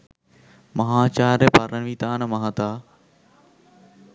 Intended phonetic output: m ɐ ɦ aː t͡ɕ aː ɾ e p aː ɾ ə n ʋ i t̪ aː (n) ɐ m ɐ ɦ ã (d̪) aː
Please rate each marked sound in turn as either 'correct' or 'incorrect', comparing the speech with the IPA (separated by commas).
correct, incorrect